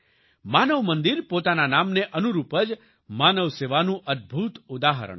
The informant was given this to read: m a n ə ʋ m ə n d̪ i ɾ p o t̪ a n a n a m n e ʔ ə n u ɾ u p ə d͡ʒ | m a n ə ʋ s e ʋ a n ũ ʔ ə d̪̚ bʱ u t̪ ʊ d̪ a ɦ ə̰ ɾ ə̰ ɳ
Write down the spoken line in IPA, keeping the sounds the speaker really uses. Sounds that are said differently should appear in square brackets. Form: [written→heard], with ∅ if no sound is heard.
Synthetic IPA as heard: m a n ə ʋ m ə n d̪ i ɾ p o t̪ a n a n a m n e ʔ ə n u ɾ u p ə d͡ʒ | m a n ə ʋ s e ʋ a n ũ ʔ ə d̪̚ bʱ u t̪ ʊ d̪ a ɦ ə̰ ɾ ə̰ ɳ